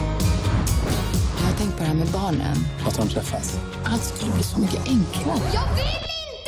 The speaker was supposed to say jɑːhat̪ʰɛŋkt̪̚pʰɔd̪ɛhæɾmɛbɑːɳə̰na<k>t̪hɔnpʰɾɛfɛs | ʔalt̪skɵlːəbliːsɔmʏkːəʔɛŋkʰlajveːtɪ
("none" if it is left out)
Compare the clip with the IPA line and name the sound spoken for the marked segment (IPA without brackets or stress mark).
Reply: none